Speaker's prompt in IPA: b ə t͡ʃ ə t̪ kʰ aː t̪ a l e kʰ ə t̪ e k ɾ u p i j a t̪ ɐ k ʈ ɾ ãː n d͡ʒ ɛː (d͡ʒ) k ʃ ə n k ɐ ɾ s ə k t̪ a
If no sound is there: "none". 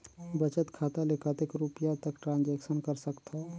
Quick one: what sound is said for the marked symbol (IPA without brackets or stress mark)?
none